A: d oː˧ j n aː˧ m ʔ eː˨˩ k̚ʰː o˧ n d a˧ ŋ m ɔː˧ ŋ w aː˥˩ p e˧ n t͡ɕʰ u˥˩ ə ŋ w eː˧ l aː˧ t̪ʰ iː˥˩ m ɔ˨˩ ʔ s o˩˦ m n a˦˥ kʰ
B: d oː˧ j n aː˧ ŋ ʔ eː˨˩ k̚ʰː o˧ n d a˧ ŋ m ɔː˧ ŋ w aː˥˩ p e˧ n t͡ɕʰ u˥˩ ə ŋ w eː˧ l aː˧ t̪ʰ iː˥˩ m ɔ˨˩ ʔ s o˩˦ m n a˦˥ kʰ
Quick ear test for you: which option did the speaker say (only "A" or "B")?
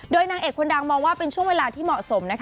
B